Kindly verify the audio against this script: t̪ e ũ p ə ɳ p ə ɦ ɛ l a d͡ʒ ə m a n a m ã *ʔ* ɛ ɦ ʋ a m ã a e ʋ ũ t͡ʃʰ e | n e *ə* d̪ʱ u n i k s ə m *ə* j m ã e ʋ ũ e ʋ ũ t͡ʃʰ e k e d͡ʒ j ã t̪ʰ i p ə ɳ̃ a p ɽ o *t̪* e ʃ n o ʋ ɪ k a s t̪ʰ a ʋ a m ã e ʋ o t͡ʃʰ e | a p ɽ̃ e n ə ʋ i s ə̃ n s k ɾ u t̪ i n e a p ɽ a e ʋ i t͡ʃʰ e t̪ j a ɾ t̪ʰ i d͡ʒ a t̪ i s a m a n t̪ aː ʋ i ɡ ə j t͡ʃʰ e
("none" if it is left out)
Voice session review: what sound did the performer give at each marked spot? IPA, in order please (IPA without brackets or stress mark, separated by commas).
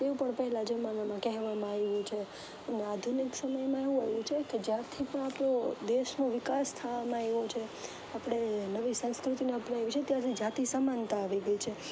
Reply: k, a, ə, d̪